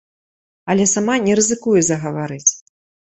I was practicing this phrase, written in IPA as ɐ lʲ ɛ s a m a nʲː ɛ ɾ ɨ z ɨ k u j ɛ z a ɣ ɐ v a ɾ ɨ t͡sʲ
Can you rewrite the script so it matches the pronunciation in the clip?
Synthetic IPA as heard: ɐ lʲ ɛ s a m a nʲ ɛ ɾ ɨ z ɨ k u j ɛ z ɐ ɣ ɐ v a ɾ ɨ t͡sʲ